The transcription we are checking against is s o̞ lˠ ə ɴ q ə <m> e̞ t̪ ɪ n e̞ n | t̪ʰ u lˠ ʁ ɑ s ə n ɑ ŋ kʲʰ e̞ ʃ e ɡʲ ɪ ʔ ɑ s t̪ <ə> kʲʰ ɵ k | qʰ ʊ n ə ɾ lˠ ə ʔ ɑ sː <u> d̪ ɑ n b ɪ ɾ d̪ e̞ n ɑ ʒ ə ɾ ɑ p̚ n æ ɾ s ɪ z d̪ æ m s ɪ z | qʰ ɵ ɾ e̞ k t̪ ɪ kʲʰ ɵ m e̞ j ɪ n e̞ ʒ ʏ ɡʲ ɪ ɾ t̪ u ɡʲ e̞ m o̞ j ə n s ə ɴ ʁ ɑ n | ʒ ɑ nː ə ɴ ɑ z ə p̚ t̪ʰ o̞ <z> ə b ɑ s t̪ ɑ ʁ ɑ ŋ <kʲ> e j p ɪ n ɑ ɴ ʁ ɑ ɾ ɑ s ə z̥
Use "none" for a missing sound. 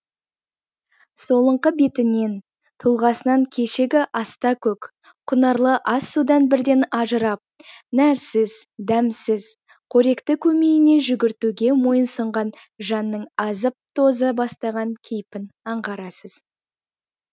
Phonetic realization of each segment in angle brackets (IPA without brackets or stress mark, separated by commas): b, ɑ, u, z, kʲʰ